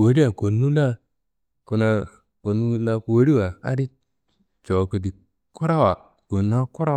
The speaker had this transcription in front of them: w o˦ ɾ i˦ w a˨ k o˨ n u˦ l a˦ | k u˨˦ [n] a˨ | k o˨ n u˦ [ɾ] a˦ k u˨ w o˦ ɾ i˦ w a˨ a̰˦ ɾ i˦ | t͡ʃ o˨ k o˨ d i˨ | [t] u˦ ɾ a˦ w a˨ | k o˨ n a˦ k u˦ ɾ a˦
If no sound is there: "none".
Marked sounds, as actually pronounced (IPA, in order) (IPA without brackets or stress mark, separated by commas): n, l, k